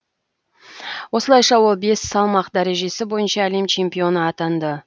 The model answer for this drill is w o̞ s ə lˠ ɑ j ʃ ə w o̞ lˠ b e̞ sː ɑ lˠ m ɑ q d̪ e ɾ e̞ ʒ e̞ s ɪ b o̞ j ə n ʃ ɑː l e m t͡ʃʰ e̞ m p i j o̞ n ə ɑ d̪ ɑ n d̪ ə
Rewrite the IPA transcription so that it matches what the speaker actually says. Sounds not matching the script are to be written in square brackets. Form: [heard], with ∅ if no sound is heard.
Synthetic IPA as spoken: w o̞ s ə lˠ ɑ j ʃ [ɑ] w o̞ lˠ b e̞ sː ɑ lˠ m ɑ q d̪ [æ] ɾ e̞ ʒ e̞ s ɪ b o̞ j ə n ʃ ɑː l e m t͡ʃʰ e̞ m p i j o̞ n ə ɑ [t̪] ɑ n d̪ ə